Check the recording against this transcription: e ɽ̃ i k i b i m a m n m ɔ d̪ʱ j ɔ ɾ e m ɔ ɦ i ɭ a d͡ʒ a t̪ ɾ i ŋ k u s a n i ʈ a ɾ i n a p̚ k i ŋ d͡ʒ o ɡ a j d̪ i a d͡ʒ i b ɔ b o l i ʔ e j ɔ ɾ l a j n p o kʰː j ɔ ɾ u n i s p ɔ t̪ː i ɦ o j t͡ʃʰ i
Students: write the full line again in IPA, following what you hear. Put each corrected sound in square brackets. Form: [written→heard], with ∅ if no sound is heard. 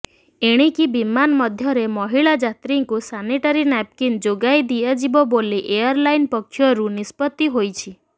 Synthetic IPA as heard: e ɽ̃ i k i b i m a [m→∅] n m ɔ d̪ʱ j ɔ ɾ e m ɔ ɦ i ɭ a d͡ʒ a t̪ ɾ i ŋ k u s a n i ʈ a ɾ i n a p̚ k i [ŋ→n] d͡ʒ o ɡ a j d̪ i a d͡ʒ i b ɔ b o l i ʔ e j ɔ ɾ l a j n p [o→ɔ] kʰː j ɔ ɾ u n i s p ɔ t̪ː i ɦ o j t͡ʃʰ i